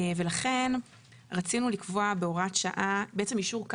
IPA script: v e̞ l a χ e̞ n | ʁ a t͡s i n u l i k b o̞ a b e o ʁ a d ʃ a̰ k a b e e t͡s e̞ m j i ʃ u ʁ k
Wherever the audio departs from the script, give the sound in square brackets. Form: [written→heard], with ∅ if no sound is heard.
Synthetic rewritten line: v e̞ l a χ e̞ n | ʁ a t͡s i n u l i k [b→v] o̞ a b e o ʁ a [d→t] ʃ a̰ [k→ʔ] a b e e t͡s e̞ m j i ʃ u ʁ k